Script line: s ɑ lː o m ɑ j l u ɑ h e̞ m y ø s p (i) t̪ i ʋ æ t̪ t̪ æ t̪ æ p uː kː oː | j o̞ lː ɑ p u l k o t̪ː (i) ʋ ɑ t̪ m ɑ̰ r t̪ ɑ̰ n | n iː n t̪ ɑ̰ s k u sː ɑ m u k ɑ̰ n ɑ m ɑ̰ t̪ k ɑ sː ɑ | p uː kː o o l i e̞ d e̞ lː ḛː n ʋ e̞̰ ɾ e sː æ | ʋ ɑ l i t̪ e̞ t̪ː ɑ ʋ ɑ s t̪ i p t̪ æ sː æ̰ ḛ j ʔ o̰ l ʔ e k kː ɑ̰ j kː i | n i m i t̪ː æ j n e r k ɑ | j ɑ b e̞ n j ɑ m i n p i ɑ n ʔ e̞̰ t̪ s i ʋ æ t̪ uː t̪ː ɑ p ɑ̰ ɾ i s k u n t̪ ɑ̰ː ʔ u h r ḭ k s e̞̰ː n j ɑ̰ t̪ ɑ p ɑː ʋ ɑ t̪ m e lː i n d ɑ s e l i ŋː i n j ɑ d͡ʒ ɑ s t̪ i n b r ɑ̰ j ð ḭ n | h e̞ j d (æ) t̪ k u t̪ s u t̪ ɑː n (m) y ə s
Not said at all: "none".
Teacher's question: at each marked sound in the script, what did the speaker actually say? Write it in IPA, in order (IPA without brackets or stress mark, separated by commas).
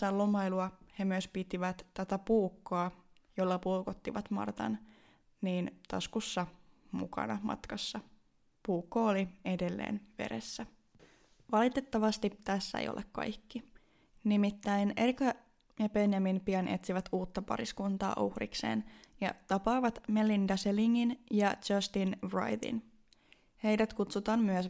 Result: i, i, æ, m